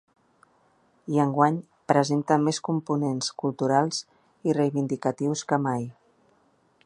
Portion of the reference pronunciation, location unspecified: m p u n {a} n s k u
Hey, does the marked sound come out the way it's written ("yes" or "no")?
no